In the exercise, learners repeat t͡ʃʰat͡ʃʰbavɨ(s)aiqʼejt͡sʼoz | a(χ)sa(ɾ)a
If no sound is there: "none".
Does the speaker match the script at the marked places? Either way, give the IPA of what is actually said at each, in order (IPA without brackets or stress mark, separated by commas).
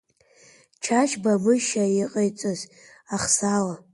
ʃ, χ, l